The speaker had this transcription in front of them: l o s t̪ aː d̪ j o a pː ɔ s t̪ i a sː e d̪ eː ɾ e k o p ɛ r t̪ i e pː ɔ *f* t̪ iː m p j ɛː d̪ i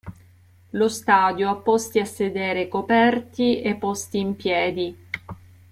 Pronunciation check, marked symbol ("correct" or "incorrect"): incorrect